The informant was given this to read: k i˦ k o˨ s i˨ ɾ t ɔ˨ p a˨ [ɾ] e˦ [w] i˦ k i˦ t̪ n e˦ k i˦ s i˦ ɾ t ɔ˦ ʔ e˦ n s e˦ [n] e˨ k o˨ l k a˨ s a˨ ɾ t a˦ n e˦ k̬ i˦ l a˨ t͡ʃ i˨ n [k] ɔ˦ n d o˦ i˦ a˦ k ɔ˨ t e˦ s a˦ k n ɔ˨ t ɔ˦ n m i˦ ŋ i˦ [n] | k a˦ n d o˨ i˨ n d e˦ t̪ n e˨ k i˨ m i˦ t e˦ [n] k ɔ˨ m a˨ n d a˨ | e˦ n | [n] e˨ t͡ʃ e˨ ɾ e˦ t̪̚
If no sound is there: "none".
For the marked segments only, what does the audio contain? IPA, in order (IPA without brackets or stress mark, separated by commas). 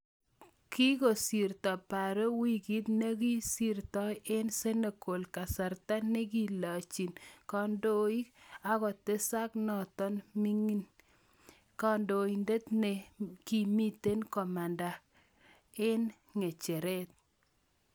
ɾ, w, n, k, n, n, ŋ